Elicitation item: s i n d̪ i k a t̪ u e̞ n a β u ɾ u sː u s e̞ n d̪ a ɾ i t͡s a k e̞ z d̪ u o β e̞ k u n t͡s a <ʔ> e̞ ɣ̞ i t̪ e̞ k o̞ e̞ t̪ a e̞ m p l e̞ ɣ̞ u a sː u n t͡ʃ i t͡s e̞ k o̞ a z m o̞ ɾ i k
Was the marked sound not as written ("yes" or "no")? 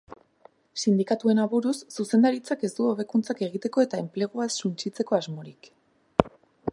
yes